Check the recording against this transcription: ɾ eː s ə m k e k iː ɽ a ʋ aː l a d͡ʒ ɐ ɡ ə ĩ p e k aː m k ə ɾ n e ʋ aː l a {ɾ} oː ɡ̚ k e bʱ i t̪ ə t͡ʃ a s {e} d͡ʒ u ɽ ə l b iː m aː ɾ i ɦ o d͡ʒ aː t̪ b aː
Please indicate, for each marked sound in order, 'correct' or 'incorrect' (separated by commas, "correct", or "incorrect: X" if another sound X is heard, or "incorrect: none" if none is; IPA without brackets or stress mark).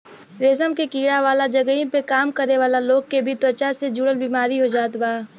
incorrect: l, correct